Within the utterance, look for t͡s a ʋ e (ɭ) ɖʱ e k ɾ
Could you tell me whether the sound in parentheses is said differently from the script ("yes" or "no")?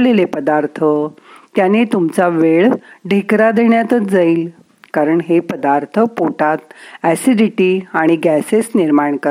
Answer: no